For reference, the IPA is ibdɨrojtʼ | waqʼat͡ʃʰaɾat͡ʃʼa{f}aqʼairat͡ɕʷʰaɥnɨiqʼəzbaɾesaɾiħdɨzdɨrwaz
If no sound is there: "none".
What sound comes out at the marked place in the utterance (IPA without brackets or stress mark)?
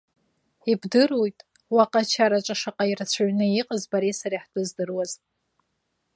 ʂ